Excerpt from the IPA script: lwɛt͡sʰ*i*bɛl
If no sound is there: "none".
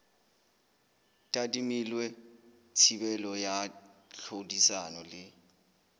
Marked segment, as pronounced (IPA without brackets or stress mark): i